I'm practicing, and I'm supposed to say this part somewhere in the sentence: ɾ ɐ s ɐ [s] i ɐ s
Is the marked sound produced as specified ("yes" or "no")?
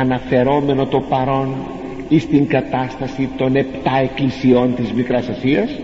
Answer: yes